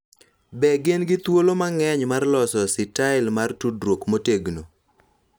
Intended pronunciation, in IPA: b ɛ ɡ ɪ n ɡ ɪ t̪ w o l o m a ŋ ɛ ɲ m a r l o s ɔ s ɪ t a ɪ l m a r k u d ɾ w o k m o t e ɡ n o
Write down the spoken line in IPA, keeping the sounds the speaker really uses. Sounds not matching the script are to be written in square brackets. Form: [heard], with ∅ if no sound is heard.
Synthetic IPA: b ɛ ɡ ɪ n ɡ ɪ t̪ w o l o m a ŋ ɛ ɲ m a r l [ɔ] s ɔ s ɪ t a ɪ l m a r [t] u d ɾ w o k m o t e ɡ n o

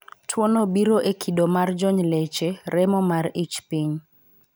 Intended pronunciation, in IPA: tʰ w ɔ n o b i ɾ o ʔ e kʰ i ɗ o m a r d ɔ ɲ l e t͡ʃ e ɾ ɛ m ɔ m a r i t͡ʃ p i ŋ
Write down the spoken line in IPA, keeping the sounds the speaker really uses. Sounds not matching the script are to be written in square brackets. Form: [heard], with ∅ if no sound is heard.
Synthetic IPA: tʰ w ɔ n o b i ɾ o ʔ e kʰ i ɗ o m a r [d͡ʒ] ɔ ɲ l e t͡ʃ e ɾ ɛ m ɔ m a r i t͡ʃ p i [ɲ]

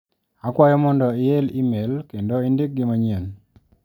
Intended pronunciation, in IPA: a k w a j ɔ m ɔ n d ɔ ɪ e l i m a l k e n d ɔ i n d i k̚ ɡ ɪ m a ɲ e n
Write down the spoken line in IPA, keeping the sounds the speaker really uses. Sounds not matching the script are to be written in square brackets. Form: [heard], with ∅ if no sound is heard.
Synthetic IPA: a k w a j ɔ m ɔ n d ɔ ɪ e l i m [e] l k e n d [o] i n d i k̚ ɡ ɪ m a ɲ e n

